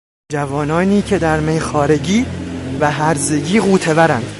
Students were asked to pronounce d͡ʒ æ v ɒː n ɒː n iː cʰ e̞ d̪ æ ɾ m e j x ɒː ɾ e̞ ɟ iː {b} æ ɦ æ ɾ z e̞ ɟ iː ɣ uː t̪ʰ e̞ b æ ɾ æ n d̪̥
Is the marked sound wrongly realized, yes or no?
yes